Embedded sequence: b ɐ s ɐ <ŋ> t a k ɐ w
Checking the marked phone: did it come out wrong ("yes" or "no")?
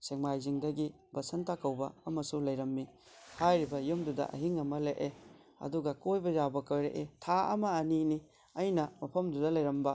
yes